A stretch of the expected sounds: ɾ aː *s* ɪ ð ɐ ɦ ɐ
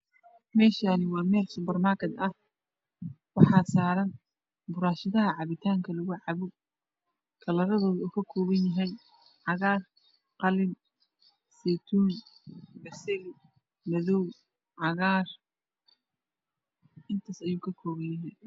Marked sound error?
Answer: yes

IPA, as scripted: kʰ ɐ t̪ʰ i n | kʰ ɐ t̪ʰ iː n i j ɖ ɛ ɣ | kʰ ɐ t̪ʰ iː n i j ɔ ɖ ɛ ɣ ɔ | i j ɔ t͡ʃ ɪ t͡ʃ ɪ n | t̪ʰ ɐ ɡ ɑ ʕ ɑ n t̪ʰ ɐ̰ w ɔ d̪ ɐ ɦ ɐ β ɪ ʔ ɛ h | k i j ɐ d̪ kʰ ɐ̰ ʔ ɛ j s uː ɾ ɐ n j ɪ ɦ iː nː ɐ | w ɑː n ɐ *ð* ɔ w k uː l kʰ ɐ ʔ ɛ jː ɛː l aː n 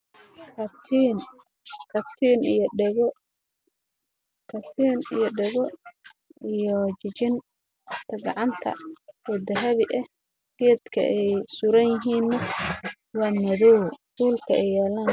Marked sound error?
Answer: no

